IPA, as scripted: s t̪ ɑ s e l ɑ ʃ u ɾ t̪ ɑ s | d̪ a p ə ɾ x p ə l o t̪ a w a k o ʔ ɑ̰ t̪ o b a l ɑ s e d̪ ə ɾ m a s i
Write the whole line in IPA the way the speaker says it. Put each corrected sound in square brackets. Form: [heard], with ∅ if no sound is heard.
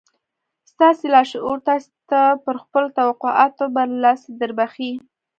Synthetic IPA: s t̪ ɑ s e l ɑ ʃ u ɾ t̪ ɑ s | [t̪] a p ə ɾ x p ə l o t̪ a w a [q] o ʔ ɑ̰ t̪ o b a l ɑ s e d̪ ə ɾ [b] a [x] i

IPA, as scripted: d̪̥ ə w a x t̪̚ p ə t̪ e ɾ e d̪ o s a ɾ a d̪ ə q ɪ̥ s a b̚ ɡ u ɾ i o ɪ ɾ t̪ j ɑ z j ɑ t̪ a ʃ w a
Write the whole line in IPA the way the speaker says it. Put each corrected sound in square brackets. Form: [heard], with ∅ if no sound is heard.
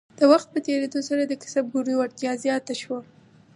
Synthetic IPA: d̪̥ ə w a x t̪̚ p ə t̪ e ɾ e d̪ o s a ɾ a d̪ ə [k] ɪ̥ s a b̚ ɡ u ɾ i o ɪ ɾ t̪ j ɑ z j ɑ t̪ a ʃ w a

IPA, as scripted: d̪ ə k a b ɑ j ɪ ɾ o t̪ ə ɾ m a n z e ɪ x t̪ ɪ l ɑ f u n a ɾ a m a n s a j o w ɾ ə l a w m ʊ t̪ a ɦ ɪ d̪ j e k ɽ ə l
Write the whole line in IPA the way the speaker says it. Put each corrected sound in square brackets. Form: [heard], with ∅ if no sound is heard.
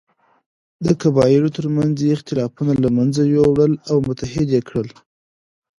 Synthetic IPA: d̪ ə k a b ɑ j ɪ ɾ o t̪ ə ɾ m a n z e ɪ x t̪ ɪ l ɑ f u n a [l] a m a n [z] a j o w [ɽ] ə l a w m ʊ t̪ a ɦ ɪ d̪ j e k ɽ ə l

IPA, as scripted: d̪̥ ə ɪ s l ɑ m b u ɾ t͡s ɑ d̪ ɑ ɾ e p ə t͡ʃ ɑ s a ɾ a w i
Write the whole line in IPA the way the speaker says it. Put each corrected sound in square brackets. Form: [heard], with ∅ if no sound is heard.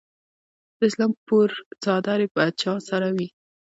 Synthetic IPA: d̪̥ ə ɪ s l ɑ m [p] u ɾ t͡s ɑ d̪ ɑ ɾ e p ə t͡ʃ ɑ s a ɾ a w i

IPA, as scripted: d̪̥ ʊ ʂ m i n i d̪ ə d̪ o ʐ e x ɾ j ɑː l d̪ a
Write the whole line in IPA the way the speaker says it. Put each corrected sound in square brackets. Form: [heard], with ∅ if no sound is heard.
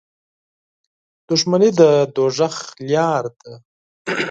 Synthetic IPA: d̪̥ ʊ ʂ m [a] n i d̪ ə d̪ o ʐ [a] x [l] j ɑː [ɾ] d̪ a

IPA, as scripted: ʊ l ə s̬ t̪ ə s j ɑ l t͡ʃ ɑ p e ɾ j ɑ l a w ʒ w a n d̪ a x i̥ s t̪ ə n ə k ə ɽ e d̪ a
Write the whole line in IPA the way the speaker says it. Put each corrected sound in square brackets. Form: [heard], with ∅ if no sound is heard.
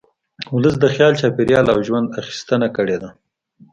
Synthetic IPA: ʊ l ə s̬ [d̪] ə [x] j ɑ l t͡ʃ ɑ p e ɾ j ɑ l a w ʒ w a n d̪ a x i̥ s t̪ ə n [a] k ə ɽ e d̪ a

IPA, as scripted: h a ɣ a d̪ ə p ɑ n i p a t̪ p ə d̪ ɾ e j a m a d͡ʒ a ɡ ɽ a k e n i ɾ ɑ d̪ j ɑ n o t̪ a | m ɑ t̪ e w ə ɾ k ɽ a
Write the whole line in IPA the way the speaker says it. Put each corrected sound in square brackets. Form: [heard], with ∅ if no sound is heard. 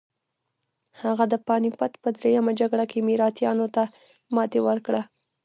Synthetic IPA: h a ɣ a d̪ ə p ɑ n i p a t̪ p ə d̪ ɾ e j a m a d͡ʒ a ɡ ɽ a k e [m] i ɾ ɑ [t̪] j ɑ n o t̪ a | m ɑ t̪ e w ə ɾ k ɽ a

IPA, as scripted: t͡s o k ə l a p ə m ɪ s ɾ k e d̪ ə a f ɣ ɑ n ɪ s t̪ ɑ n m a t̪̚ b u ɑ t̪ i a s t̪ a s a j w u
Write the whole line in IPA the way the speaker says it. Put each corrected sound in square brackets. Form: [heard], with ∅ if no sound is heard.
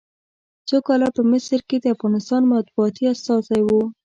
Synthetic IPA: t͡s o k [ɑ] l a p ə m ɪ s ɾ k e d̪ ə a f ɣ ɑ n ɪ s t̪ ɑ n m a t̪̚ b u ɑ t̪ i a s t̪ [ɑ] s a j w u

